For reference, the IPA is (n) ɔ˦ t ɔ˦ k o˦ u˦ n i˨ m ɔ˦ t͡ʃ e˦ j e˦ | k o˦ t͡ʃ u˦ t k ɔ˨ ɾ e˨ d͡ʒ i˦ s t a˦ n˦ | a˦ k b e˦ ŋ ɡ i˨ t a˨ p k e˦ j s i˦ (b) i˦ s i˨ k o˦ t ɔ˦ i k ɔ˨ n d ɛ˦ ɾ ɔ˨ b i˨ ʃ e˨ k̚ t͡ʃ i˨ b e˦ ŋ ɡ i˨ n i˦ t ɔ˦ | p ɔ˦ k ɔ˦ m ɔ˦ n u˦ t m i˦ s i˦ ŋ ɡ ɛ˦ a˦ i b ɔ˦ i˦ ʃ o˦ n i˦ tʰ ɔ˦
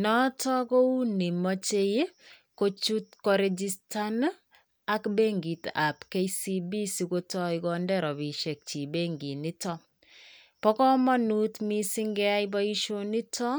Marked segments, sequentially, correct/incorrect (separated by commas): correct, correct